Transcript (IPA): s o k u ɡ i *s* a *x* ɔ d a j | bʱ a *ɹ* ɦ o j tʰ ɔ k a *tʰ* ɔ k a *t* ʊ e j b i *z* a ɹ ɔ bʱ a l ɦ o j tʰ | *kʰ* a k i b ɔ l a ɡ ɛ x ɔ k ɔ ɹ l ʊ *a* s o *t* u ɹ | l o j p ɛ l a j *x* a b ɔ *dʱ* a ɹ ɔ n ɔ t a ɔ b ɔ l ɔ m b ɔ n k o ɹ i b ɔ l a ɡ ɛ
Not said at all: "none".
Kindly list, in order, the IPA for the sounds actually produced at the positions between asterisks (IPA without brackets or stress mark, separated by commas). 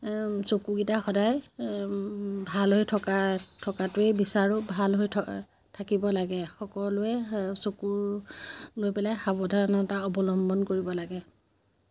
t, x, l, tʰ, t, s, tʰ, ɛ, k, x, dʱ